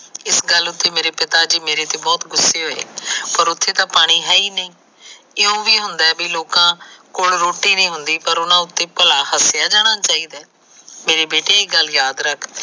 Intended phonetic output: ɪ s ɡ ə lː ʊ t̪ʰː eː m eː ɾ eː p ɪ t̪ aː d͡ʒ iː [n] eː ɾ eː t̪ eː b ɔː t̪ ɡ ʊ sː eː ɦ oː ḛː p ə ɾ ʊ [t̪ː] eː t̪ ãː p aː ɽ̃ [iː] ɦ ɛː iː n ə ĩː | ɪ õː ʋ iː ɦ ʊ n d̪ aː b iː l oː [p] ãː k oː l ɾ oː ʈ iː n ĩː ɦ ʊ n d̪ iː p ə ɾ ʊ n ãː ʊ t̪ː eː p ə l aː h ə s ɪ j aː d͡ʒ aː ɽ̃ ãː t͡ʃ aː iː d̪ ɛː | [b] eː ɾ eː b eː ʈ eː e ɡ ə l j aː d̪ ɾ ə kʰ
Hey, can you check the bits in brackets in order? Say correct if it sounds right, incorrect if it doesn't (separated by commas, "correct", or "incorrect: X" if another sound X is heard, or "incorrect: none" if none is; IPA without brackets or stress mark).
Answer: incorrect: m, incorrect: t̪ʰː, correct, incorrect: k, incorrect: m